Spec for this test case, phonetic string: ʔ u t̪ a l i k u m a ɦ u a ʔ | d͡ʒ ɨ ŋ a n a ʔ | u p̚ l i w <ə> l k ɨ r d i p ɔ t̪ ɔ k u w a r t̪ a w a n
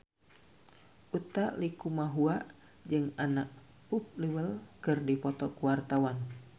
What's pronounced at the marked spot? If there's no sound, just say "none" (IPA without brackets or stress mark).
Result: ə